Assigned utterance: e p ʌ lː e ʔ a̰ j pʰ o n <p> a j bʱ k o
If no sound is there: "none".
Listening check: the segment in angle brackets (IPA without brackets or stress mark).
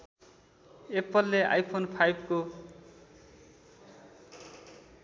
pʰ